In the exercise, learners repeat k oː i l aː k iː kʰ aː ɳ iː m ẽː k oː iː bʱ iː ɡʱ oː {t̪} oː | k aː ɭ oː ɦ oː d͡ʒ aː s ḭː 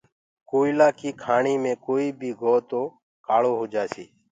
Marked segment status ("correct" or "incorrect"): correct